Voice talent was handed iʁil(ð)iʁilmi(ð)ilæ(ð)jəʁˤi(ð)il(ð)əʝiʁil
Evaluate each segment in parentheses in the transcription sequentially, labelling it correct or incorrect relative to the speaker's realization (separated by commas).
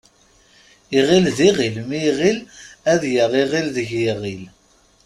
correct, incorrect, correct, incorrect, correct